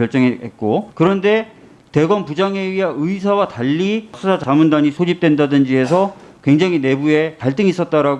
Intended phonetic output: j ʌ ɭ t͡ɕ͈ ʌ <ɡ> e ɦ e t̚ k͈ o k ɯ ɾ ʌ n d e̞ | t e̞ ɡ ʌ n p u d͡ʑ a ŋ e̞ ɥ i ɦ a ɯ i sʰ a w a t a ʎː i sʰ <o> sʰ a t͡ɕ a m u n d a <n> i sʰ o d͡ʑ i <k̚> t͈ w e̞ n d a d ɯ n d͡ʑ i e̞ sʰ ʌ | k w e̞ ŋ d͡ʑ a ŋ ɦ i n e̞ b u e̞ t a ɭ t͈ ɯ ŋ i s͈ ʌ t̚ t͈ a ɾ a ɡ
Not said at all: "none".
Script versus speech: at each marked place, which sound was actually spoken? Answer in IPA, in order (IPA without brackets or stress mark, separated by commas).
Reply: ŋ, u, ɲ, p̚